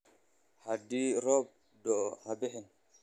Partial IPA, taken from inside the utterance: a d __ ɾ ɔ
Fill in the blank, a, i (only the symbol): i